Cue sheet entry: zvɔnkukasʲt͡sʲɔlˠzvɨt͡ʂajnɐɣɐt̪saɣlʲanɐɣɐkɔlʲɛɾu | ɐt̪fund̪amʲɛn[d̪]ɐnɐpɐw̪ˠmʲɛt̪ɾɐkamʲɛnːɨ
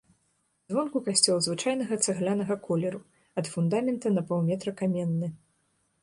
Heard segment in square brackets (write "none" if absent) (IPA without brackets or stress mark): t̪